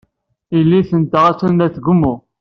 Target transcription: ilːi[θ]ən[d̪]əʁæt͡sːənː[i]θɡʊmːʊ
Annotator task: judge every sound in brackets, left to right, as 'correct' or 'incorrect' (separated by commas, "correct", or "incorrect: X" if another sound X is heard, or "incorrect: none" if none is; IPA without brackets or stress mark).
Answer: correct, incorrect: t̪, incorrect: æ